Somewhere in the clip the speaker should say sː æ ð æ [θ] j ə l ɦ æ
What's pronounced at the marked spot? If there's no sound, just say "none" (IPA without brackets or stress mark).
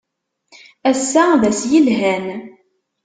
s